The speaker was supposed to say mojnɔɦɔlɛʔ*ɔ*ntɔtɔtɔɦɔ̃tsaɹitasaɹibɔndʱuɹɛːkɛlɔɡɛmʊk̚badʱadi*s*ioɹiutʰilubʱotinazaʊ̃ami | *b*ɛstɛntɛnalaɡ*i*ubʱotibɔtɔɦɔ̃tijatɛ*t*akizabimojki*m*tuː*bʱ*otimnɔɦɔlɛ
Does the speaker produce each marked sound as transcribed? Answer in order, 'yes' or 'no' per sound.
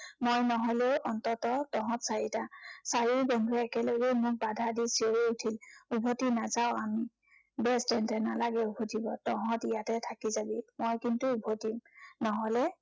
yes, yes, yes, no, no, no, yes

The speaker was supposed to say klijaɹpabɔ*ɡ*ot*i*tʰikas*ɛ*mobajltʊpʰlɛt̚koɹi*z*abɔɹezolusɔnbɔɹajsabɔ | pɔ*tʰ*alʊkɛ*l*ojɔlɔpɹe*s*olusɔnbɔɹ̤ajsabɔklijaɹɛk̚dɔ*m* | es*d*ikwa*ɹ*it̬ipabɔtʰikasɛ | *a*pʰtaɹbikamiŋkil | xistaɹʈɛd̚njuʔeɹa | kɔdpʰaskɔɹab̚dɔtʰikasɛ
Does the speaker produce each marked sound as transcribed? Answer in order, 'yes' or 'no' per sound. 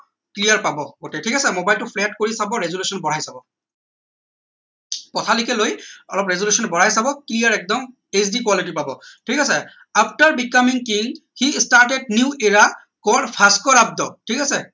yes, no, yes, no, yes, yes, no, yes, yes, no, yes

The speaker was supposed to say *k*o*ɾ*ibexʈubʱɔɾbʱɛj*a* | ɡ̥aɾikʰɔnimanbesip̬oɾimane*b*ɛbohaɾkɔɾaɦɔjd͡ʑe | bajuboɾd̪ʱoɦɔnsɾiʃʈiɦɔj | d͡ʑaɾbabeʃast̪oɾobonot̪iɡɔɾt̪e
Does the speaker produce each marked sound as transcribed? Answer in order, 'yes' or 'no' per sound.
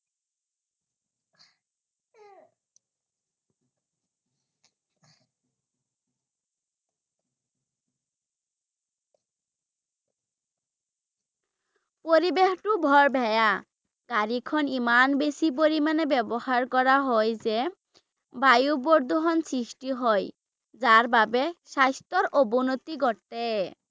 no, yes, yes, yes

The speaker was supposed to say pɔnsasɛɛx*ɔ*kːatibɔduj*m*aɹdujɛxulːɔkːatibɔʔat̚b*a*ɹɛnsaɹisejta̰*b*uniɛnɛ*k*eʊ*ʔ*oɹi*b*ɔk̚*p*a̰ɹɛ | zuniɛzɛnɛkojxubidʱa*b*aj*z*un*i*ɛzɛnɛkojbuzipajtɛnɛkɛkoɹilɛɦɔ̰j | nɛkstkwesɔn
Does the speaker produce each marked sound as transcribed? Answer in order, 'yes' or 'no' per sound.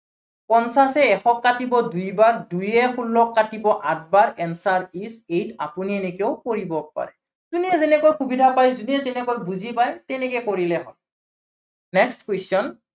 yes, no, yes, no, yes, no, yes, yes, no, yes, yes

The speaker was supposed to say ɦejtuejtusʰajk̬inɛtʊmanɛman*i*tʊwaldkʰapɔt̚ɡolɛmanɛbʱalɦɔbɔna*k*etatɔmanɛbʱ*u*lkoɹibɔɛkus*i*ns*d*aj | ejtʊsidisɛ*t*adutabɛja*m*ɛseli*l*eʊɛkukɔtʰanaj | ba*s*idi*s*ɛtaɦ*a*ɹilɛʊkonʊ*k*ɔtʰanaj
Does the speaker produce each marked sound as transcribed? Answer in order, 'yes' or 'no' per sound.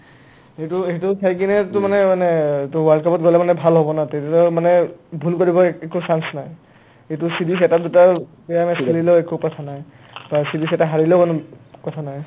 no, no, yes, no, no, yes, yes, yes, yes, yes, yes, yes

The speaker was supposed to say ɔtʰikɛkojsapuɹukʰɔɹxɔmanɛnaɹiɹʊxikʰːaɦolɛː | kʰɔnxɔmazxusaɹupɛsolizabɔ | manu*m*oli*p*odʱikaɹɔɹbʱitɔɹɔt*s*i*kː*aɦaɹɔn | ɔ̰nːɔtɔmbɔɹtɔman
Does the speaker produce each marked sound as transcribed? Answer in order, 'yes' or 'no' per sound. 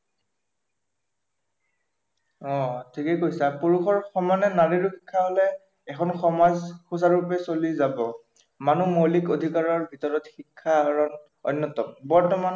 yes, no, no, no

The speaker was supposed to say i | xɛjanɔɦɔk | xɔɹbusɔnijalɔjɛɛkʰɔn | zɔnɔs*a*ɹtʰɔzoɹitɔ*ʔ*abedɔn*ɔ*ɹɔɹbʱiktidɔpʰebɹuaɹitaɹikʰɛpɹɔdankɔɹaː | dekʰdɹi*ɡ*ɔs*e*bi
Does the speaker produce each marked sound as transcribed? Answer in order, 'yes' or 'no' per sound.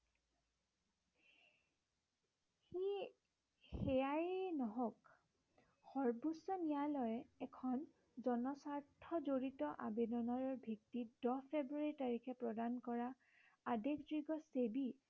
yes, yes, yes, yes, yes

